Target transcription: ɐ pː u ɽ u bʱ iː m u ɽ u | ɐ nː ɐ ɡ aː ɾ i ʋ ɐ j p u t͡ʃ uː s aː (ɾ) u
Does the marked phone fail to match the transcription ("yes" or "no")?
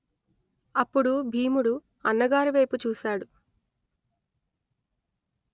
yes